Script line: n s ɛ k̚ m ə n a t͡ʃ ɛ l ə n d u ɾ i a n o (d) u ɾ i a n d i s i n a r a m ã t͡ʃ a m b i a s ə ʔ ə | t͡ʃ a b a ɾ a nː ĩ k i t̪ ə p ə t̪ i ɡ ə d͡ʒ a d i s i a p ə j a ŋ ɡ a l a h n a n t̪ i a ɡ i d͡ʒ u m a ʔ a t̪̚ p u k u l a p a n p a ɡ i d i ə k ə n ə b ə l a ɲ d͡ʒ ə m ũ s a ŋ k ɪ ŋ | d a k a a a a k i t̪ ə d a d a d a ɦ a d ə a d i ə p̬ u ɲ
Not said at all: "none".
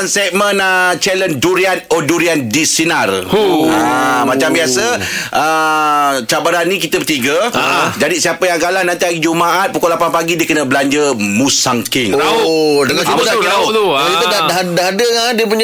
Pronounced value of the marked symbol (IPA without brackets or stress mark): d